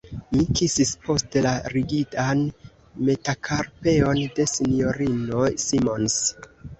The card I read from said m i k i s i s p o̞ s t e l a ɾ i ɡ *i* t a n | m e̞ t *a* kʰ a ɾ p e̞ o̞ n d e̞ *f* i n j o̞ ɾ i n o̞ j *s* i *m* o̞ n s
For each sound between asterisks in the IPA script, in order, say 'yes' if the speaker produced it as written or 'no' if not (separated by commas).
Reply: yes, yes, no, yes, yes